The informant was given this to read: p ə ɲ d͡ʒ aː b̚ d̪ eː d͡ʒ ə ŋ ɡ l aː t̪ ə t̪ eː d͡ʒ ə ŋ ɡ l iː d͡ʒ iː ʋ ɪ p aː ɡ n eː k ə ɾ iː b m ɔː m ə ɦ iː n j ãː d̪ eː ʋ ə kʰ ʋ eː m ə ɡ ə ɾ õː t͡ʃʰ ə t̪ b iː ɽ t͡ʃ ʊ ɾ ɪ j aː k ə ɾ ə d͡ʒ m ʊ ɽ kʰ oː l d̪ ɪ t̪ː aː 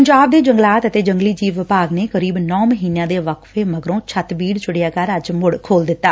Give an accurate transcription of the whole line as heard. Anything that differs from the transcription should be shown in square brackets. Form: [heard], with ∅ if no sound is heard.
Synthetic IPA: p ə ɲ d͡ʒ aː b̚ d̪ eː d͡ʒ ə ŋ ɡ l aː t̪ ə t̪ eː d͡ʒ ə ŋ ɡ l iː d͡ʒ iː ʋ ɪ p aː ɡ n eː k ə ɾ iː b [n] ɔː m ə ɦ iː n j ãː d̪ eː ʋ ə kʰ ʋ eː m ə ɡ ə ɾ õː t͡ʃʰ ə t̪ b iː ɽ t͡ʃ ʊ [ɽ] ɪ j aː k ə ɾ ə d͡ʒ m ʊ ɽ kʰ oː l d̪ ɪ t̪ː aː